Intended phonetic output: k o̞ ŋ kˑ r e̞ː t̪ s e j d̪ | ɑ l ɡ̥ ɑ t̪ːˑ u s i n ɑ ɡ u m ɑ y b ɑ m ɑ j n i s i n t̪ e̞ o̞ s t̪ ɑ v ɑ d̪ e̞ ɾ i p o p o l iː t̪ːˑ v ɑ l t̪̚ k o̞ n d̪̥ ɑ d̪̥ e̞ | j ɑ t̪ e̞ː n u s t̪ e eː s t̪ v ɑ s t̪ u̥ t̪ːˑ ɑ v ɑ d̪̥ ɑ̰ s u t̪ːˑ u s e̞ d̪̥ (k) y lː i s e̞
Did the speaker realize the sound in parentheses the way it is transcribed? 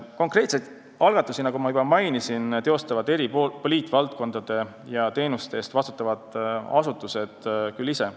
yes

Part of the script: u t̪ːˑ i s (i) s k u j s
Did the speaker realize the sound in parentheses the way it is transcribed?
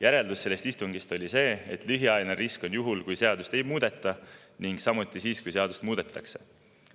no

